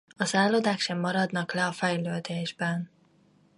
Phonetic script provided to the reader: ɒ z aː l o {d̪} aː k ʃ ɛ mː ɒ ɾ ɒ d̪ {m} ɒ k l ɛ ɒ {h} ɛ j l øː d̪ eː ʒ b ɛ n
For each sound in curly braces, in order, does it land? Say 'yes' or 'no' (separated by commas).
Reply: yes, no, no